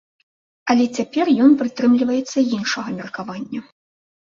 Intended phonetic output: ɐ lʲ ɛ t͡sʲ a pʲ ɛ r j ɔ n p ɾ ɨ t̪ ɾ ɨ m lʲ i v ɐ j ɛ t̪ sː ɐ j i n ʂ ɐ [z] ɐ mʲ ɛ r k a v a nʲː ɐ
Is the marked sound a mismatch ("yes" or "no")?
yes